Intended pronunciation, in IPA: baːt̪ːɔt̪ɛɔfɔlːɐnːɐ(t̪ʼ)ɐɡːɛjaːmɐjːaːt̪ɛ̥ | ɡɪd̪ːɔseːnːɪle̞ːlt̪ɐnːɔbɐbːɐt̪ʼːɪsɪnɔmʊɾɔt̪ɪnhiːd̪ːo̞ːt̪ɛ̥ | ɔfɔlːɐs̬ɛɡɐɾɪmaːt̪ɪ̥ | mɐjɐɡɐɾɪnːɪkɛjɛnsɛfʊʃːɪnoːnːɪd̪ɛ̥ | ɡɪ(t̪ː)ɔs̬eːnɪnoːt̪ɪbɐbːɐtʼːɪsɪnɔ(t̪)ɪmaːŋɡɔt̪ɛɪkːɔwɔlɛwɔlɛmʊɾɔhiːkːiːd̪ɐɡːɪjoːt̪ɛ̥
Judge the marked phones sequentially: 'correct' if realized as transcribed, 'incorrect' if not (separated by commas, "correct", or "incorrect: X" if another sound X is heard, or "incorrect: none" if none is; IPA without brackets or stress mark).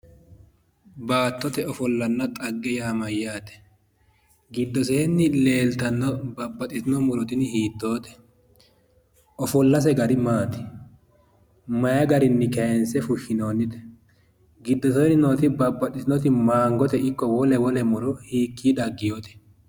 correct, incorrect: d̪ː, correct